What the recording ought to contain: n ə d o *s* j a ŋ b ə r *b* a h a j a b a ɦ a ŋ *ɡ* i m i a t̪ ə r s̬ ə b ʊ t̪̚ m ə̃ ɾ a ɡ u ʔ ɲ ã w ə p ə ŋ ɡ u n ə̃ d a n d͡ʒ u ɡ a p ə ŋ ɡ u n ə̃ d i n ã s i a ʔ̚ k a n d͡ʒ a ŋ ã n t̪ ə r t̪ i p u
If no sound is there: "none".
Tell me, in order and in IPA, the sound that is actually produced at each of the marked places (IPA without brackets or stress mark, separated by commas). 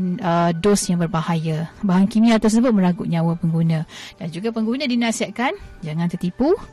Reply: s, b, k